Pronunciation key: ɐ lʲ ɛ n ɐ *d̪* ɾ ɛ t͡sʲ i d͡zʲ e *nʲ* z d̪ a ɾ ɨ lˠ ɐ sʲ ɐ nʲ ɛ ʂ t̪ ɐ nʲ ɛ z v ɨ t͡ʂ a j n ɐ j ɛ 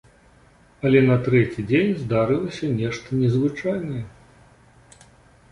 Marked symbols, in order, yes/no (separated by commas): no, yes